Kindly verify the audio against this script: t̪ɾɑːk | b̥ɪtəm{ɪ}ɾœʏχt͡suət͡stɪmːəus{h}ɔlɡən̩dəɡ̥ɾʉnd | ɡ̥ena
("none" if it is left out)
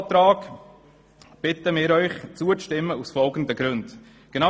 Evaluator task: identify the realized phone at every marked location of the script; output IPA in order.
ɪː, f

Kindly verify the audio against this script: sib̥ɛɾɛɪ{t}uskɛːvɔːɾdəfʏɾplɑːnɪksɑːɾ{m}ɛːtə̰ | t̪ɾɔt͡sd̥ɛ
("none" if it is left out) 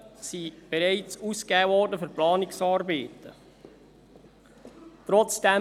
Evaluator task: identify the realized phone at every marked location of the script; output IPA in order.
t͡s, b

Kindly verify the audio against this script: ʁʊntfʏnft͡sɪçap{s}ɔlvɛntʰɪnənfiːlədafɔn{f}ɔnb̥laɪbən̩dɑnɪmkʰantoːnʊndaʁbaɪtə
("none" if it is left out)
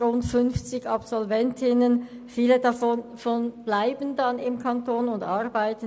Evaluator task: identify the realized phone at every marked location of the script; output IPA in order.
s, f

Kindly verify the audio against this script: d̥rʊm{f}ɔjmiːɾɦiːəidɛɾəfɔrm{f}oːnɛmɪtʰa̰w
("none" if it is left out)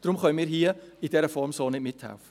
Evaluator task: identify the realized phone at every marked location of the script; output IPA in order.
χ, s

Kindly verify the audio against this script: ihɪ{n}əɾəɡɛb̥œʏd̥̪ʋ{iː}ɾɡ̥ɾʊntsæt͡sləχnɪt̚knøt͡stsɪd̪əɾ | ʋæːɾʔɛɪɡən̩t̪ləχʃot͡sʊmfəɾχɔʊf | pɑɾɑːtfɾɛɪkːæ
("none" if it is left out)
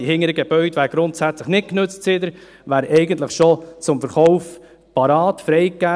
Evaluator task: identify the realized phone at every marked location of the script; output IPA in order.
ŋ, æː

